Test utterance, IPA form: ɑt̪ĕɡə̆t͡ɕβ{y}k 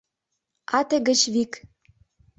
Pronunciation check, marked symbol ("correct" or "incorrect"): incorrect